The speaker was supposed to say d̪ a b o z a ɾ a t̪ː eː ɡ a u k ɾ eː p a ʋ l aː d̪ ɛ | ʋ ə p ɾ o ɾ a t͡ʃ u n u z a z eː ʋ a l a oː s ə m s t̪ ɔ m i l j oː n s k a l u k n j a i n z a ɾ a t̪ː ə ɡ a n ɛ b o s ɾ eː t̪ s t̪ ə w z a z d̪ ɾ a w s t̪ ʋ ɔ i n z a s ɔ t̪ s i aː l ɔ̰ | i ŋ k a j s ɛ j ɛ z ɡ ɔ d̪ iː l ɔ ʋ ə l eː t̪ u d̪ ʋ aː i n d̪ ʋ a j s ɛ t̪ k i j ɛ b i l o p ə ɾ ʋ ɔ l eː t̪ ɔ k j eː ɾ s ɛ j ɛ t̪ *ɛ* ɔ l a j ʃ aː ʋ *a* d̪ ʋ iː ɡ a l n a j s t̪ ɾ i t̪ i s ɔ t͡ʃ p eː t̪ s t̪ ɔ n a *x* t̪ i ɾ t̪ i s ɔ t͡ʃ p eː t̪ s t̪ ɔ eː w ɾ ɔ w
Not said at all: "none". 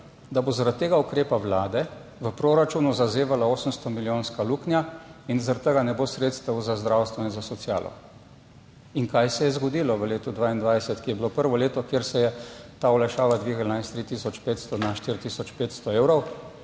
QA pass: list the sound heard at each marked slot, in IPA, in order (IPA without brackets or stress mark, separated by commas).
a, a, ʃ